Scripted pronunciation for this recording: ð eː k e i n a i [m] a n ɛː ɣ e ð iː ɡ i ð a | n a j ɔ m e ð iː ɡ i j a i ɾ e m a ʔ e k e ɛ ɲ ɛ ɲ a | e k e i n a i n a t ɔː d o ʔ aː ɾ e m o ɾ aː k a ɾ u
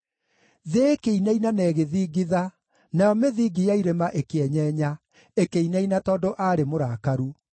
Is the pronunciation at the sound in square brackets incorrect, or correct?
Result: incorrect